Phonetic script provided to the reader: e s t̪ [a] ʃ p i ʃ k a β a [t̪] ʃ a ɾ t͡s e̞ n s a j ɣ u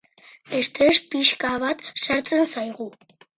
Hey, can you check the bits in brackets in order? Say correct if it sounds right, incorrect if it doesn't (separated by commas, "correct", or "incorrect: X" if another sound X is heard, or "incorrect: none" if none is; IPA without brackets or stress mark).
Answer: incorrect: e, correct